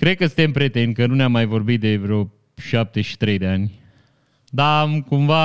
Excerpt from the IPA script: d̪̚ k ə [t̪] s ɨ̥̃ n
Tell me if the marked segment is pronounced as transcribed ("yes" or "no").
no